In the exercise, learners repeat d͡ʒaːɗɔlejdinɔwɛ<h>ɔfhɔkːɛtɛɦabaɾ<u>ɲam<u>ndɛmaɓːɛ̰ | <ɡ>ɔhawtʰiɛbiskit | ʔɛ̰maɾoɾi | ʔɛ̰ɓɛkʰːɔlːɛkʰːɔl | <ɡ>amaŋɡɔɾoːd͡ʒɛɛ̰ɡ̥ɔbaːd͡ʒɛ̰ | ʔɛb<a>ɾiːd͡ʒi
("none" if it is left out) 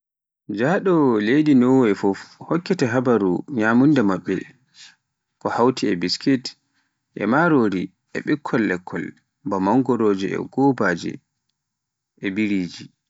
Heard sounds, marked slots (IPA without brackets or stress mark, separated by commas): f, u, u, k, b, i